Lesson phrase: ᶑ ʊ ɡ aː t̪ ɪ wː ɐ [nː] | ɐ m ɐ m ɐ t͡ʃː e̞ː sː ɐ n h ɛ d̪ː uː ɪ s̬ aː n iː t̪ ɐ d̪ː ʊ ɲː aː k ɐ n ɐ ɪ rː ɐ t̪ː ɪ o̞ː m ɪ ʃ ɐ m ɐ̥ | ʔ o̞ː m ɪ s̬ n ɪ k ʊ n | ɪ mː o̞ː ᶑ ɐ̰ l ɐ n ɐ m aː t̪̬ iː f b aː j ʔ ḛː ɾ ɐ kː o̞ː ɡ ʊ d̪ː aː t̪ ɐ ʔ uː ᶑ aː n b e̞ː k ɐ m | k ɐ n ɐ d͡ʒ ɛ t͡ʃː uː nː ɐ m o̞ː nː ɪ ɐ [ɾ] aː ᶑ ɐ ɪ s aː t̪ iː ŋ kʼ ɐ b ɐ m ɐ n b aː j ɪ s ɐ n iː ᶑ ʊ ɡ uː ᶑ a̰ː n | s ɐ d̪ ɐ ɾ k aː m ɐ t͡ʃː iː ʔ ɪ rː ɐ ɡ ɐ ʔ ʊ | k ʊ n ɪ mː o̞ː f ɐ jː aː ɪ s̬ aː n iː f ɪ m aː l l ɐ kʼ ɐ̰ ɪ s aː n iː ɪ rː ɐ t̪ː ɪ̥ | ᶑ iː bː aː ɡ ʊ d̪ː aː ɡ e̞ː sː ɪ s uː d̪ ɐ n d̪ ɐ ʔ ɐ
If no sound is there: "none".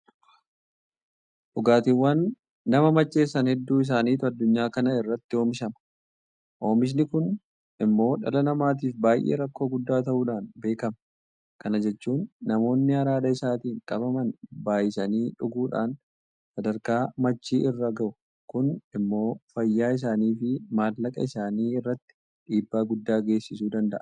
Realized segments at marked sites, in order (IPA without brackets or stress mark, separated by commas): nː, ɾ